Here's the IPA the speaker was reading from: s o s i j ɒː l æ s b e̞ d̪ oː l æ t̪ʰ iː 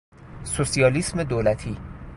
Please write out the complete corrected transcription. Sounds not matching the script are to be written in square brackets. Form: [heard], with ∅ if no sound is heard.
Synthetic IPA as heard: s o s i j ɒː l [i] s [m] e̞ d̪ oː l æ t̪ʰ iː